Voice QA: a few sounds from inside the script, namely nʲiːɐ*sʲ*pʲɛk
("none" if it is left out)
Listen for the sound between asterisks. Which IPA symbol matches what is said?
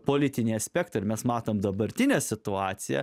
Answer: sʲ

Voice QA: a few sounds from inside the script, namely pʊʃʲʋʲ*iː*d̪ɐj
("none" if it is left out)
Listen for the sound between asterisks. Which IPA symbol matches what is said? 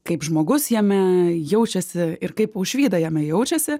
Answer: iː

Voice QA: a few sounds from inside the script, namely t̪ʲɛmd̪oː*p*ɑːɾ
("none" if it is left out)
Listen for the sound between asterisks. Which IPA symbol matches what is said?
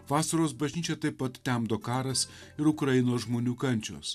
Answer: k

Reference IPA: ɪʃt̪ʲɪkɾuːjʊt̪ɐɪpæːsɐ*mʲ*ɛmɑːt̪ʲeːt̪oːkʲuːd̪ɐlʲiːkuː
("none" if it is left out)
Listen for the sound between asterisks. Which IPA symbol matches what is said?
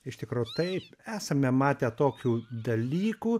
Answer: mʲ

